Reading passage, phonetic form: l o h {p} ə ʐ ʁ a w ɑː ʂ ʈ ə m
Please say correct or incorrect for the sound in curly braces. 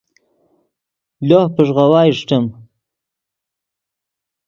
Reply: correct